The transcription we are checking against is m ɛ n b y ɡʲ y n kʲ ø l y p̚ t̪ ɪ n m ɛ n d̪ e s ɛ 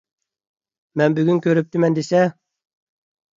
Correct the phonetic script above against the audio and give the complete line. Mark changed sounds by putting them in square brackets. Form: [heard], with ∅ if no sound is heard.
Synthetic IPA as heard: m ɛ n b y ɡʲ y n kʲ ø [ɾ] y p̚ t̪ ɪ [∅] m ɛ n d̪ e s ɛ